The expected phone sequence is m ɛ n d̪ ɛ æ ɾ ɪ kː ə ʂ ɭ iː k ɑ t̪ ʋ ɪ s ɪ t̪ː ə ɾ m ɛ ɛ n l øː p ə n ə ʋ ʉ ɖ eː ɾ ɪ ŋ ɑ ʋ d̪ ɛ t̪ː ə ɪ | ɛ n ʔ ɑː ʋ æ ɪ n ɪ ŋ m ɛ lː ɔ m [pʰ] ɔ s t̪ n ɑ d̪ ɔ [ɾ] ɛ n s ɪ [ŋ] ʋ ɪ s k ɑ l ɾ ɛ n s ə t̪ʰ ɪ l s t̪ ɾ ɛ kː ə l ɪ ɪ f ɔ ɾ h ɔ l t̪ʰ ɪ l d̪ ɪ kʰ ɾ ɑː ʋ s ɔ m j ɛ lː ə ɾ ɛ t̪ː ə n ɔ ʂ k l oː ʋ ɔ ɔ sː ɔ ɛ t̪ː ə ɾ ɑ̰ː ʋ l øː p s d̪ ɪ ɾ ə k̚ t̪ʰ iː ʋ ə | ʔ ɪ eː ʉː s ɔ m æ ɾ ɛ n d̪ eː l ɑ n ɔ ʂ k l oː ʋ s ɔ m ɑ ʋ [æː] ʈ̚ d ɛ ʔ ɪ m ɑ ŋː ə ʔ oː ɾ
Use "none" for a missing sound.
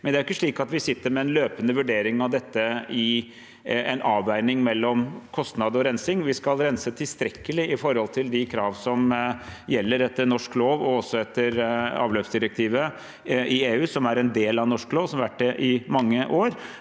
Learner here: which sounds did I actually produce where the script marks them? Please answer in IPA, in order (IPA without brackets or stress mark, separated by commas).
kʰ, ɾ, ŋ, æ